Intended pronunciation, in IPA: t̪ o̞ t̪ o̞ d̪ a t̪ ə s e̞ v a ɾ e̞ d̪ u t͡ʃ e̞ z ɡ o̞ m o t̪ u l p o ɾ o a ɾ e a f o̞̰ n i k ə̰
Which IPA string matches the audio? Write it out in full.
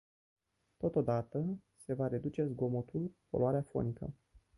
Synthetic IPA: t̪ o̞ t̪ o̞ d̪ a t̪ ə s e̞ v a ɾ e̞ d̪ u t͡ʃ e̞ z ɡ o̞ m o t̪ u l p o l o a ɾ e a f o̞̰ n i k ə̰

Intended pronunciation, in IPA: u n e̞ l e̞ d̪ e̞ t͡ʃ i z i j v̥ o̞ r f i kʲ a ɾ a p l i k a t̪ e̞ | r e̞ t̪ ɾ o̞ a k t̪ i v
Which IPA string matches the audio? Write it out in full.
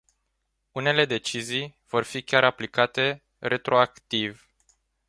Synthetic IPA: u n e̞ l e̞ d̪ e̞ t͡ʃ i z i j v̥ o̞ r f i kʲ a ɾ a p l i k a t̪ e̞ | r e̞ t̪ ɾ o̞ a k t̪ i v

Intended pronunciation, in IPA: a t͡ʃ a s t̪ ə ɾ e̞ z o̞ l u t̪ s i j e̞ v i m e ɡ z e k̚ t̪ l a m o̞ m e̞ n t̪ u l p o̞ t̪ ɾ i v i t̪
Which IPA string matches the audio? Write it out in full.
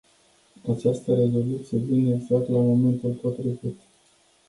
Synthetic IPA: a t͡ʃ a s t̪ ə ɾ e̞ z o̞ l u t̪ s i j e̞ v i n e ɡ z a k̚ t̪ l a m o̞ m e̞ n t̪ u l p o̞ t̪ ɾ i v i t̪

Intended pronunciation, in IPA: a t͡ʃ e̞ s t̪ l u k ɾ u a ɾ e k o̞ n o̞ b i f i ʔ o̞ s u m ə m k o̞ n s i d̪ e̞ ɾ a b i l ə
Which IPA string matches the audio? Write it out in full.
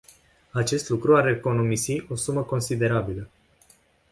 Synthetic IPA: a t͡ʃ e̞ s t̪ l u k ɾ u a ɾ e k o̞ n o̞ m i s i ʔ o̞ s u m ə k o̞ n s i d̪ e̞ ɾ a b i l ə

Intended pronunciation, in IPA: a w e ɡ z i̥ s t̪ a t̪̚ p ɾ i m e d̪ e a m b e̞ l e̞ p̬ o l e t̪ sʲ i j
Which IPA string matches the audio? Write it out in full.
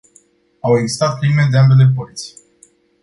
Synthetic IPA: a w e ɡ z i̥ s t̪ a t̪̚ p ɾ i m e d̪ e a m b e̞ l e̞ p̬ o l i t̪ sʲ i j

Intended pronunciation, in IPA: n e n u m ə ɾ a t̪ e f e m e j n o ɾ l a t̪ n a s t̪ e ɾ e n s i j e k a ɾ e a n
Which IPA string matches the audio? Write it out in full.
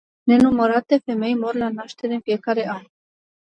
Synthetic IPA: n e n u m ə ɾ a t̪ e f e m e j m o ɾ l a n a ʃ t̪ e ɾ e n f i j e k a ɾ e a n

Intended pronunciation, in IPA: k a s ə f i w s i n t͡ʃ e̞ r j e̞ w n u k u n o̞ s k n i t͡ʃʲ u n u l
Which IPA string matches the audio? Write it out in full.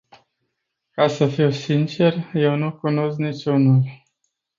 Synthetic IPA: k a s ə f i w s i n t͡ʃ e̞ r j e̞ w n u k u n o̞ s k n i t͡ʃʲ u n u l

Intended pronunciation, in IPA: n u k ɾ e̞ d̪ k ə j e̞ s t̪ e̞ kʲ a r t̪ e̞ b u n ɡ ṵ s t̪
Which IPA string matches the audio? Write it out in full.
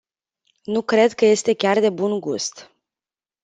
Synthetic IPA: n u k ɾ e̞ d̪ k ə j e̞ s t̪ e̞ kʲ a r d̪ e̞ b u n ɡ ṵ s t̪

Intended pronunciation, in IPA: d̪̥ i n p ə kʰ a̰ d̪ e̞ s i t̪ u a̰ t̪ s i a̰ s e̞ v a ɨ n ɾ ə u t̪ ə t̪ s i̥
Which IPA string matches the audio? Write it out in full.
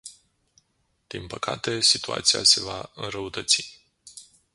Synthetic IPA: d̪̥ i n p ə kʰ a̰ t̪ e̞ s i t̪ u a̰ t̪ s i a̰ s e̞ v a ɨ n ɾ ə u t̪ ə t̪ s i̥

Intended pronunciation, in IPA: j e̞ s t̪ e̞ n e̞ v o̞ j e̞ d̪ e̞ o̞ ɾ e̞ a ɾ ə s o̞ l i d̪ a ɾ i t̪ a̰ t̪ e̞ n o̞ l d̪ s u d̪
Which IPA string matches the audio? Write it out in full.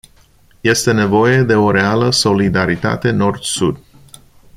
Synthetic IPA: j e̞ s t̪ e̞ n e̞ v o̞ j e̞ d̪ e̞ o̞ ɾ e̞ a l ə s o̞ l i d̪ a ɾ i t̪ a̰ t̪ e̞ n o̞ r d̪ s u d̪

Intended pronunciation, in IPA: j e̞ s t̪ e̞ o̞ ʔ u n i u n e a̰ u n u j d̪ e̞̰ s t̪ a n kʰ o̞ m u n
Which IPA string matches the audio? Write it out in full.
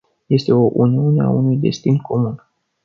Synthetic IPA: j e̞ s t̪ e̞ o̞ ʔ u n i u n e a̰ u n u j d̪ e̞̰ s t̪ i n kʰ o̞ m u n

